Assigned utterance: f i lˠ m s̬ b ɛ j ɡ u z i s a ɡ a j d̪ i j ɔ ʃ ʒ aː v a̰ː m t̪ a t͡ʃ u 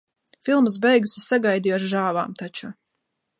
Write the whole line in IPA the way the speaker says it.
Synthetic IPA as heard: f i lˠ m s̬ b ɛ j ɡ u s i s a ɡ a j d̪ i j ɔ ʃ ʒ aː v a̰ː m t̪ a t͡ʃ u